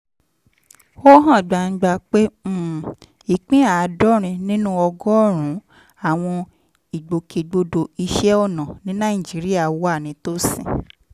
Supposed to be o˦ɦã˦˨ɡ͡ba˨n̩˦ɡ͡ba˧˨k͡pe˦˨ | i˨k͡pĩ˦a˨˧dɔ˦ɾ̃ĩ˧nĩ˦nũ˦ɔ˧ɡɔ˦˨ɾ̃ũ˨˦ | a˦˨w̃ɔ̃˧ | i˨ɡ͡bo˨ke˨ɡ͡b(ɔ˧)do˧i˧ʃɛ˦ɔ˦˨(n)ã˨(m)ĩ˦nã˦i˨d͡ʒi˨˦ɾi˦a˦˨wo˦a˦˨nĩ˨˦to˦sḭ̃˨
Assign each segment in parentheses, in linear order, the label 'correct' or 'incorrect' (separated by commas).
incorrect, correct, incorrect